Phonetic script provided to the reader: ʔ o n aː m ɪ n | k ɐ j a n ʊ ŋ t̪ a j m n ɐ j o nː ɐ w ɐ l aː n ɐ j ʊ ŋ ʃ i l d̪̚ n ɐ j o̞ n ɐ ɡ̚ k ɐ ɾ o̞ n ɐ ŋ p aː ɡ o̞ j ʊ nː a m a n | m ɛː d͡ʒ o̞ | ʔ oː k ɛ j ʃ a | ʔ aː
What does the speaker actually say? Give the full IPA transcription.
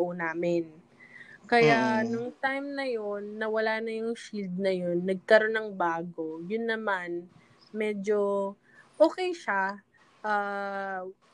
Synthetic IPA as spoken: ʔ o n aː m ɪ n | k ɐ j a n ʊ ŋ t̪ a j m n ɐ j o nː ɐ w ɐ l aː n ɐ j ʊ ŋ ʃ i l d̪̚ n ɐ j o̞ nː ɐ ɡ̚ k ɐ ɾ o̞ n ɐ ŋ b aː ɡ o̞ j ʊ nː ɐ m a n | m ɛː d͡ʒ o̞ | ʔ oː k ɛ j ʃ a | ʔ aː